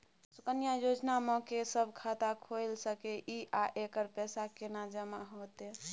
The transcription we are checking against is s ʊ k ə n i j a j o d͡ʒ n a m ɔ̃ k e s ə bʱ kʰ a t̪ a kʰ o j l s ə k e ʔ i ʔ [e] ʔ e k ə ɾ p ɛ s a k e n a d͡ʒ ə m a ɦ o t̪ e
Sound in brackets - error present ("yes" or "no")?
yes